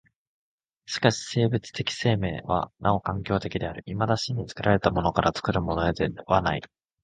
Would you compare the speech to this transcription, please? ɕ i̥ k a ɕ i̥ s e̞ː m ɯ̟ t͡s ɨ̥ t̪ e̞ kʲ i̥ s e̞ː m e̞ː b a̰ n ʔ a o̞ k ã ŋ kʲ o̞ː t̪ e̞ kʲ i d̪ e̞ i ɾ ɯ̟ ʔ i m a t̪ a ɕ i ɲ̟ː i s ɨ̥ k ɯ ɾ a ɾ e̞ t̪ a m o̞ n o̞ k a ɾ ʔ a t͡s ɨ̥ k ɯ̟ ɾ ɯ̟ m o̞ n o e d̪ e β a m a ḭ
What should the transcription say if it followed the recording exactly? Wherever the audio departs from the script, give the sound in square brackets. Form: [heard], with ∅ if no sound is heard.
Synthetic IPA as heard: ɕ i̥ k a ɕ i̥ s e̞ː [b] ɯ̟ t͡s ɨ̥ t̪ e̞ kʲ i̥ s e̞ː m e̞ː [β] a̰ n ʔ a o̞ k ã ŋ kʲ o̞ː t̪ e̞ kʲ i d̪ e̞ [a] ɾ ɯ̟ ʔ i m a [d̪] a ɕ i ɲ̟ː i [t͡s] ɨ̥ k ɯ ɾ a ɾ e̞ t̪ a m o̞ n o̞ k a ɾ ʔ a t͡s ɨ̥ k ɯ̟ ɾ ɯ̟ m o̞ n o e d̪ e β a [n] a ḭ